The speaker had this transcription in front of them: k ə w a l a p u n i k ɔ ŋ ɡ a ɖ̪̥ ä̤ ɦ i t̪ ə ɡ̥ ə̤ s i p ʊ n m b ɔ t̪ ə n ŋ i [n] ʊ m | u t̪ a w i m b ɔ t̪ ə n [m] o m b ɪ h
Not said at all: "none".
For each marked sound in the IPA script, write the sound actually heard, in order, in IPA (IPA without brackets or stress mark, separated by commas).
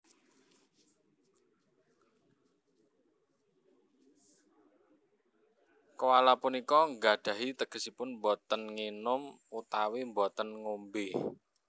n, ŋ